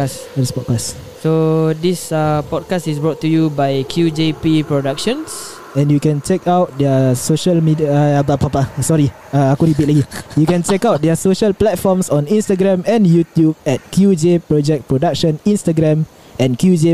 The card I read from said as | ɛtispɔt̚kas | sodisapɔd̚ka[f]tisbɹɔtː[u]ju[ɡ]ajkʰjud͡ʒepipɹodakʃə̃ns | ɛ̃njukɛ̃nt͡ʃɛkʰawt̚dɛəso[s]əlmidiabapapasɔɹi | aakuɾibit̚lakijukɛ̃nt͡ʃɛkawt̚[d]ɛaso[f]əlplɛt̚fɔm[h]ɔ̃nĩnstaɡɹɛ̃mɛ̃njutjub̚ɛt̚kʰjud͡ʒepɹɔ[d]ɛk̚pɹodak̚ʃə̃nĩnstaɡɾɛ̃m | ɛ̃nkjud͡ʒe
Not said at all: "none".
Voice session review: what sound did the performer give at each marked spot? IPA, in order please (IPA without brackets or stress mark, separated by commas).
s, u, b, ʃ, d, ʃ, s, d͡ʒ